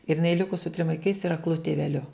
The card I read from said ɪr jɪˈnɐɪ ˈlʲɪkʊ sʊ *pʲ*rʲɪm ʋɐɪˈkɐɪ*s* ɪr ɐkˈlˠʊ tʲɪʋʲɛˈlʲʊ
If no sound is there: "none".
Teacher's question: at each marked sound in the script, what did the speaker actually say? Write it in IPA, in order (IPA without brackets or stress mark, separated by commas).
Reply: tʲ, s